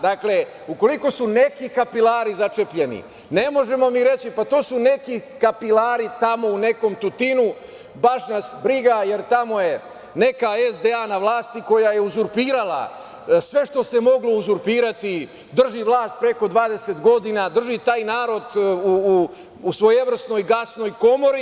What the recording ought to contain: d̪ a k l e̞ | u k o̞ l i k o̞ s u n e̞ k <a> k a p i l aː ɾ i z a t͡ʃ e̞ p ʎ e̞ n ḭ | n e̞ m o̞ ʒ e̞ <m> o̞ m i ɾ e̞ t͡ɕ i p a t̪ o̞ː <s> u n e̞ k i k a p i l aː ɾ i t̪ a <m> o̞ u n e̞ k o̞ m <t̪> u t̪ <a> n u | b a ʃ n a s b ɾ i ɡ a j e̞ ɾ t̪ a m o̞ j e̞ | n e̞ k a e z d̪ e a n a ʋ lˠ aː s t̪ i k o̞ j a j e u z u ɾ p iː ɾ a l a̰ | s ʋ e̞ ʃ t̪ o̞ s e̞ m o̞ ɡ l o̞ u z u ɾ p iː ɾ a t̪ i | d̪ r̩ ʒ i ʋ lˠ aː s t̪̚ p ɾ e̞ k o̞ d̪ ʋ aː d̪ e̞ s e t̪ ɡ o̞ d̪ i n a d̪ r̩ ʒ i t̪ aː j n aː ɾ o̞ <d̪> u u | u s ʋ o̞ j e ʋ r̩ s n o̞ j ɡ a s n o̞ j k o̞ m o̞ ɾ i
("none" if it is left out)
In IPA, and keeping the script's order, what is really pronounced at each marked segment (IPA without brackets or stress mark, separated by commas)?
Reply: i, m, s, m, t̪, i, d̪